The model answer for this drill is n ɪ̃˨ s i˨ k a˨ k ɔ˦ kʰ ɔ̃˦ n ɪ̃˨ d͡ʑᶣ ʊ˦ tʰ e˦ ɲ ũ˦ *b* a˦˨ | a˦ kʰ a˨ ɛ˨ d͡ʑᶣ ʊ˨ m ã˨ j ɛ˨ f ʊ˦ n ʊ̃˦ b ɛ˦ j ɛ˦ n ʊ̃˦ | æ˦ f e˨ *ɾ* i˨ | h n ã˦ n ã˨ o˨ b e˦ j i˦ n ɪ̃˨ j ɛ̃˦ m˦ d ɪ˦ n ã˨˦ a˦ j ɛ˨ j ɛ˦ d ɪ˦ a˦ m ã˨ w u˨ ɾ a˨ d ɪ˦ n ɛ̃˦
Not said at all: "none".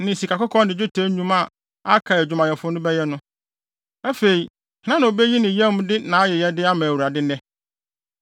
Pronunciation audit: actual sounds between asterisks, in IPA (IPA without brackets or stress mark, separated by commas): m, none